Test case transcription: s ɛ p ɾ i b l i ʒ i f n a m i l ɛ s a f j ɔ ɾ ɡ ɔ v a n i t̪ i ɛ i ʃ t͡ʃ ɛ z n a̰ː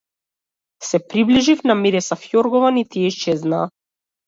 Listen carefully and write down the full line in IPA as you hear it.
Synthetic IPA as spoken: s ɛ p ɾ i b l i ʒ i f n a m i ɾ ɛ s a f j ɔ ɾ ɡ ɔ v a n i t̪ i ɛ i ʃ t͡ʃ ɛ z n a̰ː